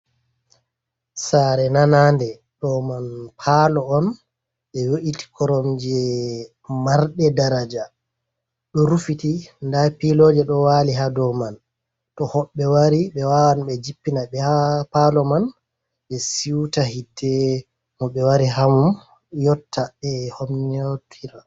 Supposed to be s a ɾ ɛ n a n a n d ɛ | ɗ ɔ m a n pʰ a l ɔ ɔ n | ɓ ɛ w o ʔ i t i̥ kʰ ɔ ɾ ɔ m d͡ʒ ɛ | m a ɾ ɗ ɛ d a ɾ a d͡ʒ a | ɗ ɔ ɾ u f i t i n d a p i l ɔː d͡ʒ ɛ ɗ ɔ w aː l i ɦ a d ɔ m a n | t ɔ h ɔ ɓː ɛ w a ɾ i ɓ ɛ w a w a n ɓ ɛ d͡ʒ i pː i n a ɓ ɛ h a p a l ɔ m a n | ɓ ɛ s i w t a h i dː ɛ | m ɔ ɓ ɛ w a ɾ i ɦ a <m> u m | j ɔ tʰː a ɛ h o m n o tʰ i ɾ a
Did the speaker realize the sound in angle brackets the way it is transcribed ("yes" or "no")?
yes